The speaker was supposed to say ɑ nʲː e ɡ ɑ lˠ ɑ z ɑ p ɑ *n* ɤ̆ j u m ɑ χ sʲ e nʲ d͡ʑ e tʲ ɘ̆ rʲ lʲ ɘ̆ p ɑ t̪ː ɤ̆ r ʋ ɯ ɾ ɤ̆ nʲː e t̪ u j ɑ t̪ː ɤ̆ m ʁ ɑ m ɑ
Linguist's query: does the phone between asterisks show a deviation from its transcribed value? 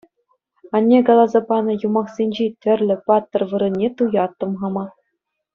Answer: no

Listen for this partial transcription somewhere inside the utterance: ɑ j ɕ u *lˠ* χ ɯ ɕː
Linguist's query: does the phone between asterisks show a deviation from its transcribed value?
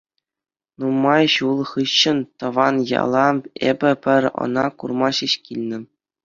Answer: no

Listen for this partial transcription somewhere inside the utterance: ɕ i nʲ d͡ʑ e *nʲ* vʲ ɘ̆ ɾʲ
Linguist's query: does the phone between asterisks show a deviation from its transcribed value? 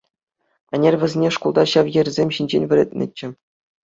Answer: no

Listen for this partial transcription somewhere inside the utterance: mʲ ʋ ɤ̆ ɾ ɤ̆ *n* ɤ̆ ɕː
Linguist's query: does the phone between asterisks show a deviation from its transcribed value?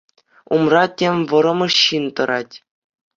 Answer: yes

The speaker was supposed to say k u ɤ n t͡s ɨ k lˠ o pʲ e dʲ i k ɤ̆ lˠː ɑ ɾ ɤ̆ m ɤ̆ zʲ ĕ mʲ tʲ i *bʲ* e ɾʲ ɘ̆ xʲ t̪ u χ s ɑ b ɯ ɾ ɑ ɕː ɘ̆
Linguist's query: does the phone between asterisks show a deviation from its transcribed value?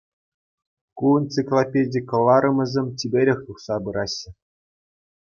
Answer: no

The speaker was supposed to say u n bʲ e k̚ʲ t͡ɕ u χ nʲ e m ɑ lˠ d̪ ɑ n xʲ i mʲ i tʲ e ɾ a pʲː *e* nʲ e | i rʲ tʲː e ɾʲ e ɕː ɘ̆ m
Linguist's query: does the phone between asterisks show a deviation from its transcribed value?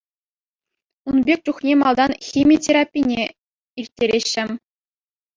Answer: yes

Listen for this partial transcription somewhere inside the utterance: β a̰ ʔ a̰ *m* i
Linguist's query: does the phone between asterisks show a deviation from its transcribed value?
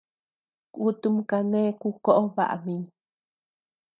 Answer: no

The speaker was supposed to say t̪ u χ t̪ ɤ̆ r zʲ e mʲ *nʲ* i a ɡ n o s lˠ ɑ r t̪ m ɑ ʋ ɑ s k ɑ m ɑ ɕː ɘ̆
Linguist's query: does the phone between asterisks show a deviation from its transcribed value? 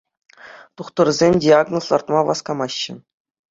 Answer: yes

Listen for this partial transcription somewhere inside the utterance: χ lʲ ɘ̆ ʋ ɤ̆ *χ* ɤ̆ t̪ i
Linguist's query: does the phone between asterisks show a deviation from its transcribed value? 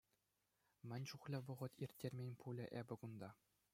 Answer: yes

